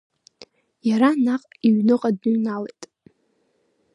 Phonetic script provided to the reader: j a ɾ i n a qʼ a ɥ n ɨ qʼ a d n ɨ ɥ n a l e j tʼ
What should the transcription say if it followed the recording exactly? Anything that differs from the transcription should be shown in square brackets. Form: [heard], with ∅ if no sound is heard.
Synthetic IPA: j a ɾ [a] n a qʼ [i] ɥ n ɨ qʼ a d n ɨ ɥ n a l e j tʼ